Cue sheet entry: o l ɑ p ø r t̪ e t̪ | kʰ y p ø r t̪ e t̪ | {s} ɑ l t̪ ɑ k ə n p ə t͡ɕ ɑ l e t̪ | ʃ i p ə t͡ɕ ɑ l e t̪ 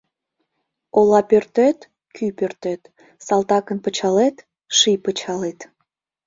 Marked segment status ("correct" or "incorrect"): correct